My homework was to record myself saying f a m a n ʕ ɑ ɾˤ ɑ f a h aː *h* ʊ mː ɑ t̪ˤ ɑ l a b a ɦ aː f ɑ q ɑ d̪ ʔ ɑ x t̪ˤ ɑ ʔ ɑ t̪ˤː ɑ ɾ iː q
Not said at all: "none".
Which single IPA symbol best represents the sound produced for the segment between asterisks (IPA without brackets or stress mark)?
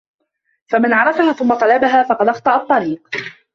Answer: θ